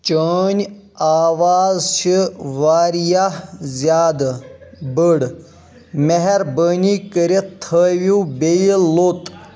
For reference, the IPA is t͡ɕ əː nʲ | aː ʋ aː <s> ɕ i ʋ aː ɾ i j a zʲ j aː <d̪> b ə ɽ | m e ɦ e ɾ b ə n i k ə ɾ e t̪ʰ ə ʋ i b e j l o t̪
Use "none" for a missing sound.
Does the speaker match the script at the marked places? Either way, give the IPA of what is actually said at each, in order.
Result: z, d̪

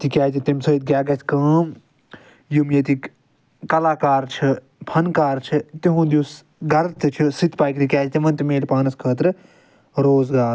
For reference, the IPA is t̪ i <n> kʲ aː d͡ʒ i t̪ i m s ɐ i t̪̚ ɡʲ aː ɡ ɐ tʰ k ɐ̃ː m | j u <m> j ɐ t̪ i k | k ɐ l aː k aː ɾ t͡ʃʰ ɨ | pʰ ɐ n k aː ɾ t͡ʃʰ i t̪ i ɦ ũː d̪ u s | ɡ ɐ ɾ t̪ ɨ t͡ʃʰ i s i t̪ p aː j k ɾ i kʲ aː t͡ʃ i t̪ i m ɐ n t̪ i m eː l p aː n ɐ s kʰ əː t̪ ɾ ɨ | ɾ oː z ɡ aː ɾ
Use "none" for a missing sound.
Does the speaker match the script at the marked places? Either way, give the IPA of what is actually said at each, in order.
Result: none, m

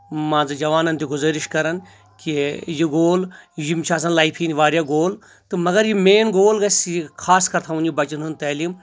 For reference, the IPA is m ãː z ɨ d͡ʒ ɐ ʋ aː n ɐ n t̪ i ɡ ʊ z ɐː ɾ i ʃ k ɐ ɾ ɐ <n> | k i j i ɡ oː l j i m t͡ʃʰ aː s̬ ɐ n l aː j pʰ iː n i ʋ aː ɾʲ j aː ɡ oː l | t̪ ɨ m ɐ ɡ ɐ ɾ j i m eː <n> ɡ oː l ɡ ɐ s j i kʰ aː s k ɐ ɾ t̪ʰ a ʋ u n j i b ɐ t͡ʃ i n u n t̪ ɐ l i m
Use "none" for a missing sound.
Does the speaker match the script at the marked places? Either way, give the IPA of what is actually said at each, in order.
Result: n, n

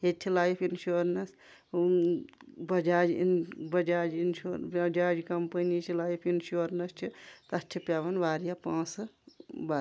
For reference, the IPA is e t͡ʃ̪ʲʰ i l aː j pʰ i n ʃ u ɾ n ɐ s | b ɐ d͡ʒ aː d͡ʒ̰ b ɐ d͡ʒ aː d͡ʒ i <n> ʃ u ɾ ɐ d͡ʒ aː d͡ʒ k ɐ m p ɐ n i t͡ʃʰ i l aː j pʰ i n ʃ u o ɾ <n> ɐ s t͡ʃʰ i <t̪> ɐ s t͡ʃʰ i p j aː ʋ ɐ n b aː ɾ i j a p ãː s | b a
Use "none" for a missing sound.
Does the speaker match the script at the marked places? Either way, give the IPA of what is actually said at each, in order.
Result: n, n, t̪

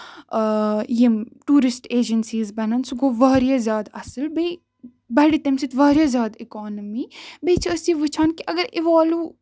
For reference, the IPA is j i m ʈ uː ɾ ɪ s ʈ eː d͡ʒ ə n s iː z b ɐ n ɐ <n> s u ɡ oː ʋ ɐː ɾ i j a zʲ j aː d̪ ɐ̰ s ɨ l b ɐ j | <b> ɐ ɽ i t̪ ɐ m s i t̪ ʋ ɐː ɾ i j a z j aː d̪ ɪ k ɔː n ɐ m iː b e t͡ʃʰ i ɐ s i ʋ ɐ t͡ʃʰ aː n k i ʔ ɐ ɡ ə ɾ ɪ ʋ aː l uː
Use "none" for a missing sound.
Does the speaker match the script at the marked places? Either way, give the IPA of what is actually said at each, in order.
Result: n, b

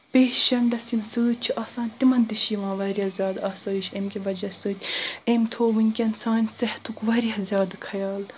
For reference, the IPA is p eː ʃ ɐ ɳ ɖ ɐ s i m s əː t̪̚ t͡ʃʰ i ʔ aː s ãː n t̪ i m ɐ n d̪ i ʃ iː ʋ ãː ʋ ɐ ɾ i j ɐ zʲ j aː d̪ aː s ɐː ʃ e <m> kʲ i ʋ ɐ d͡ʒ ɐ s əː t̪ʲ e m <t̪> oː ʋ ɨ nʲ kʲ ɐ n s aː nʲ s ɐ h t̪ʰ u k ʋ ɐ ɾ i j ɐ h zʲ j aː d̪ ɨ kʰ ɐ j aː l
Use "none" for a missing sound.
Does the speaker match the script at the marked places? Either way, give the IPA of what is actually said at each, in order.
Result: m, t̪ʰ

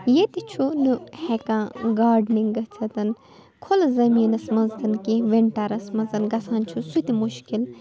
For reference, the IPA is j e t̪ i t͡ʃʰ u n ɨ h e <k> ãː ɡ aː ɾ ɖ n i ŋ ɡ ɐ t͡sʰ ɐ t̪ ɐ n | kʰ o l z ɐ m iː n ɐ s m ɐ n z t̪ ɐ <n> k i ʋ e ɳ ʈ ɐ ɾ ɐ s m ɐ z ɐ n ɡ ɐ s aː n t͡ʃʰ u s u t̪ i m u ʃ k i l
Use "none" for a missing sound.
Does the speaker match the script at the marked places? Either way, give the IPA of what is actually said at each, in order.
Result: k, n

